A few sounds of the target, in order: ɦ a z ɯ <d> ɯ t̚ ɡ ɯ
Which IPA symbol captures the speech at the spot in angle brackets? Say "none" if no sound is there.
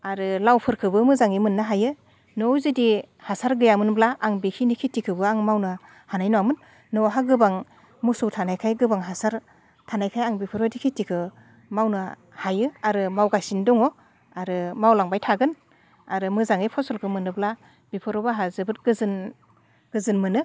b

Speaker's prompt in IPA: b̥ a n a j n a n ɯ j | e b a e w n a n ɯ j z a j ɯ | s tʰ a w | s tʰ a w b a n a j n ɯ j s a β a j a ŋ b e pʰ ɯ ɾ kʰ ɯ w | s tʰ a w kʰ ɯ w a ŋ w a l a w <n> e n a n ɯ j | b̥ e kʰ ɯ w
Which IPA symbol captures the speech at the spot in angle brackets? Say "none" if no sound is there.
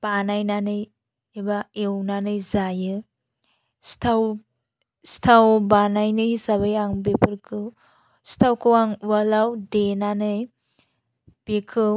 d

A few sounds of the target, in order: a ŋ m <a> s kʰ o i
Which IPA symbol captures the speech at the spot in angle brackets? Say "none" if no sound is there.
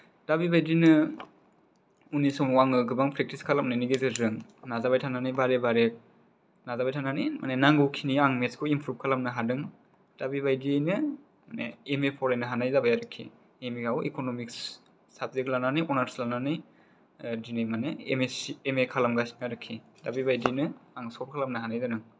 e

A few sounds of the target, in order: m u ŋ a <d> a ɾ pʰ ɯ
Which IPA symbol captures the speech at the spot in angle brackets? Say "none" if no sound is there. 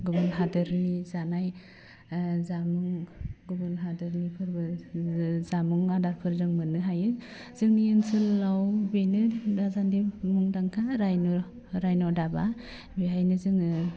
d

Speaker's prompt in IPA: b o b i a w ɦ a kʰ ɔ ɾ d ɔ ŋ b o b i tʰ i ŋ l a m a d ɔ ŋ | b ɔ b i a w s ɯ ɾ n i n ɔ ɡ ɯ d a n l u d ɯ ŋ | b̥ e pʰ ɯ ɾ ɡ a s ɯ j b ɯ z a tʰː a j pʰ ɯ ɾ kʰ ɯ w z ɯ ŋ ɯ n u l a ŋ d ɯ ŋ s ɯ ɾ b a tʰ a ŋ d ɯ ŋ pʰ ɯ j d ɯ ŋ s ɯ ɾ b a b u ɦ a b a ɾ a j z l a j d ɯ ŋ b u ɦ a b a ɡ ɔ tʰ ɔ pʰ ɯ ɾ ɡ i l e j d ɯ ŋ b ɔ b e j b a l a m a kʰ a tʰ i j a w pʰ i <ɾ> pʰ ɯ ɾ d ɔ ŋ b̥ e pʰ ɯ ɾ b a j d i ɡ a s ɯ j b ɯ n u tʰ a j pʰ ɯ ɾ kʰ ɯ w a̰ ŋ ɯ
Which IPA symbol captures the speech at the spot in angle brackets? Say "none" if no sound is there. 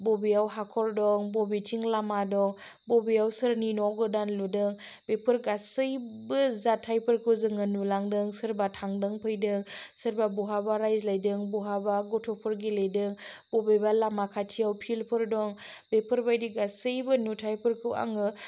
l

